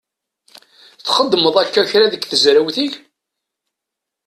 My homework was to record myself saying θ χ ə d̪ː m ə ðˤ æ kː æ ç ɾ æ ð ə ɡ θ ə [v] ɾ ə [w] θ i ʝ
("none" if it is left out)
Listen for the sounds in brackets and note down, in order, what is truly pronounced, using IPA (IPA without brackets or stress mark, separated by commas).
z, w